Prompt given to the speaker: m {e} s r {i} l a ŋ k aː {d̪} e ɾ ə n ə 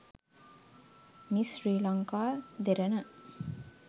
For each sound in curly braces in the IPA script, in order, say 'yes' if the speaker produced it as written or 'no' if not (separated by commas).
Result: no, no, yes